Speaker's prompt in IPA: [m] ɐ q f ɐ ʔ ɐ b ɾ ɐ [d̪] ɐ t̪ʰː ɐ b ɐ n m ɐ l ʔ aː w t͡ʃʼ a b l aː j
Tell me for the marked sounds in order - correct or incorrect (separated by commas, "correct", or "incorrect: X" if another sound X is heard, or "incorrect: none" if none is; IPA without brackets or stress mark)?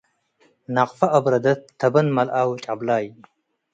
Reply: incorrect: n, correct